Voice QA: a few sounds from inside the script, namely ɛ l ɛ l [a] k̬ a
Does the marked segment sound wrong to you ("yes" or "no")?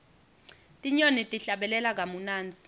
no